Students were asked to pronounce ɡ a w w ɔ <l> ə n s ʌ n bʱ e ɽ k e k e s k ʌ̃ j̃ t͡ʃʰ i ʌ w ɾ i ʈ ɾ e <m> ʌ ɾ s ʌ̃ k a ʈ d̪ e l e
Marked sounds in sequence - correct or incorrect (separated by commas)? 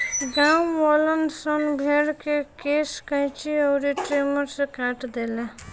correct, correct